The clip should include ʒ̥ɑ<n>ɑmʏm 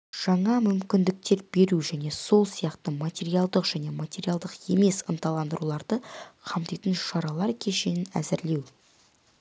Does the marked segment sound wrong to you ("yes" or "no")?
yes